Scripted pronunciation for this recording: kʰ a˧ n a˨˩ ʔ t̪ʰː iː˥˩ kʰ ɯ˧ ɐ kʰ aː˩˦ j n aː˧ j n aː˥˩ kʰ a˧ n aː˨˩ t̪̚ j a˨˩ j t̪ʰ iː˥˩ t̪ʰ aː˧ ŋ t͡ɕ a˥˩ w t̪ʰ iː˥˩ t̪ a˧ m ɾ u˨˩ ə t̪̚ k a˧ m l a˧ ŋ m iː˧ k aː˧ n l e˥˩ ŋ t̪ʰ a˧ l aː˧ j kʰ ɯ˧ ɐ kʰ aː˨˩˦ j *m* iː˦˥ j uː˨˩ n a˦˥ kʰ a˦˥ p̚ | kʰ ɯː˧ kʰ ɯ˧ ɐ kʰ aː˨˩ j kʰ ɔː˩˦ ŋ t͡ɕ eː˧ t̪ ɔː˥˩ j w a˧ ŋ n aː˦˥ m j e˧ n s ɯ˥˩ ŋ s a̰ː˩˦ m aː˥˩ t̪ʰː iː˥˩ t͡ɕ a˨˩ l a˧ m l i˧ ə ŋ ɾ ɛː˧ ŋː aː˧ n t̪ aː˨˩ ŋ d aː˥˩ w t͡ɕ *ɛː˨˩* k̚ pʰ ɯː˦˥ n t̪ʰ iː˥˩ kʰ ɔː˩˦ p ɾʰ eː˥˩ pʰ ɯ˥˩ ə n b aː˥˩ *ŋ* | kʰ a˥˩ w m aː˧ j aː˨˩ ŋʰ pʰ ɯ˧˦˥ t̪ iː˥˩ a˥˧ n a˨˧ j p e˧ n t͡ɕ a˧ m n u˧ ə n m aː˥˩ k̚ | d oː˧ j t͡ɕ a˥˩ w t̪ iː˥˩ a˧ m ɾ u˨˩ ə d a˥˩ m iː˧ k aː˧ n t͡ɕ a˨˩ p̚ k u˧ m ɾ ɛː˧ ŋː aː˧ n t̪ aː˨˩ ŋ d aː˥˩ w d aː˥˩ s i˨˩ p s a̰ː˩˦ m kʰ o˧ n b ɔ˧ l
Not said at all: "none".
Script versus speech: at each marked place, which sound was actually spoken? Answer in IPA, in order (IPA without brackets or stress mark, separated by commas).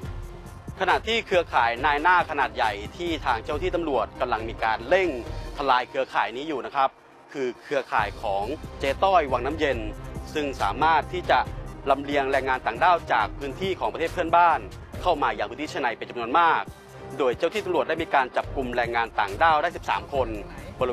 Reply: n, aː˨˩, n